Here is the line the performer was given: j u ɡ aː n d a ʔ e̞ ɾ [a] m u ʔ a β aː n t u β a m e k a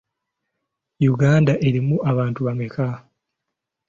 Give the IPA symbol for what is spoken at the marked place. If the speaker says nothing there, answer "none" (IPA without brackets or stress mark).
i